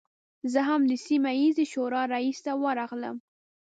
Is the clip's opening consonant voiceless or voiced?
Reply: voiced